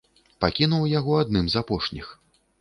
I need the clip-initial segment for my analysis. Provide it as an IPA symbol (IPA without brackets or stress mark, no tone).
p